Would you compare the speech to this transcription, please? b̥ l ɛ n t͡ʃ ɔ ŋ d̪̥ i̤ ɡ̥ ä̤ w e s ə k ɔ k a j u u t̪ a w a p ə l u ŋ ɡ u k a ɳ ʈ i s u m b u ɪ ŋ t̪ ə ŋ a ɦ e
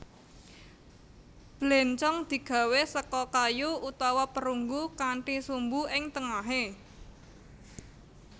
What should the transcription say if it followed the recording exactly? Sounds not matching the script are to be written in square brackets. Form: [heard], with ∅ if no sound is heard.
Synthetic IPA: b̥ l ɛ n t͡ʃ ɔ ŋ d̪̥ i̤ ɡ̥ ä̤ w e s ə k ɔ k a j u u t̪ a w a p ə [ɾ] u ŋ ɡ u k a ɳ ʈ i s u m b u ɪ ŋ t̪ ə ŋ a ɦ e